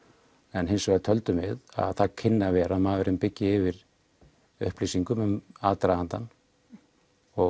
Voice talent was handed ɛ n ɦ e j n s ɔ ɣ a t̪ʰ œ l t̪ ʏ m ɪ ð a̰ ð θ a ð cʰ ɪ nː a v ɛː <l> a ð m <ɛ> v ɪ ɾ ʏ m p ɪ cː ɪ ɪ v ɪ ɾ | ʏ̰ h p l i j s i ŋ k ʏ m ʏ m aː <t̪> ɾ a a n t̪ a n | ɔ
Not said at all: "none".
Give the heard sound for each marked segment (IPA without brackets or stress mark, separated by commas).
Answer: ɾ, a, t̪